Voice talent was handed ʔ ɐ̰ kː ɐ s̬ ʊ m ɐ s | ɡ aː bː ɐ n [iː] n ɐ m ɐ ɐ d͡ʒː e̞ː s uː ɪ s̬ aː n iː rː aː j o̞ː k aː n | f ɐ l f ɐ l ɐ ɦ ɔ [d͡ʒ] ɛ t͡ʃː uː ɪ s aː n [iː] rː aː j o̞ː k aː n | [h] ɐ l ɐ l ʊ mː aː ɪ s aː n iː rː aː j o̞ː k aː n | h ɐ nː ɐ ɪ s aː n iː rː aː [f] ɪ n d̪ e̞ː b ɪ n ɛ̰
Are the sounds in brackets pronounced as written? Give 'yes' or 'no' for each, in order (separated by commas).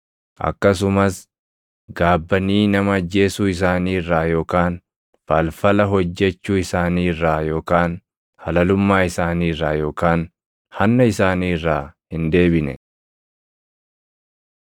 yes, no, yes, yes, no